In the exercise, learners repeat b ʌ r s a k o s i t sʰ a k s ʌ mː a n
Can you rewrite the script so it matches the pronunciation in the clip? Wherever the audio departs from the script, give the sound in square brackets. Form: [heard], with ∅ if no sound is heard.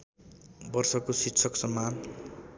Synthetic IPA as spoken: b ʌ r s [ʌ] k o s i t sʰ [ʌ] k s ʌ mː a n